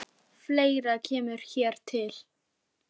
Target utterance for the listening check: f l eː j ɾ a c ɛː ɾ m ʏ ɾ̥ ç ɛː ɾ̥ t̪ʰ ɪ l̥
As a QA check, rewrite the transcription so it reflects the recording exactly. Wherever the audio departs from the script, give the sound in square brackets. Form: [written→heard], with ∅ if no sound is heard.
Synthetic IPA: f l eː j ɾ a [c→cʰ] ɛː [ɾ→∅] m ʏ ɾ̥ ç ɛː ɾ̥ t̪ʰ ɪ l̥